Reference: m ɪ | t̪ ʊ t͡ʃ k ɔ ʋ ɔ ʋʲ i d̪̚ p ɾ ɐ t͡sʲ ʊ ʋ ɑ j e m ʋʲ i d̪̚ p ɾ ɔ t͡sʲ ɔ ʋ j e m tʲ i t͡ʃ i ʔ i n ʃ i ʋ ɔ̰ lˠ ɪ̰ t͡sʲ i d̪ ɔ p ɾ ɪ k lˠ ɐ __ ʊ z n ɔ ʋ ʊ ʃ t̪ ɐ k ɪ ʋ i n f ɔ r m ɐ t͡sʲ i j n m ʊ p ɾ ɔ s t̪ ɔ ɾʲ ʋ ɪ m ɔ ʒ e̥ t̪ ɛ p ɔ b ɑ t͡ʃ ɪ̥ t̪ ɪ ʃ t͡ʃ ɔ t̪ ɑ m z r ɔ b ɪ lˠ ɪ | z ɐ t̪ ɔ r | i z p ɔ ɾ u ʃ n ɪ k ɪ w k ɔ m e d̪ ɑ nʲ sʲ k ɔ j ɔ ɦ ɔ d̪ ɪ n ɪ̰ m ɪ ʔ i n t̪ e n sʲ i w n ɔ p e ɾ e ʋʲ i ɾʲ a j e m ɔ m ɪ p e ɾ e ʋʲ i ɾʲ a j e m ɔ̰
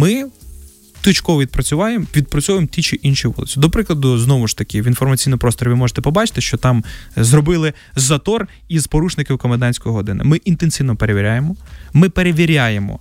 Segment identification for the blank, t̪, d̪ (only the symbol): d̪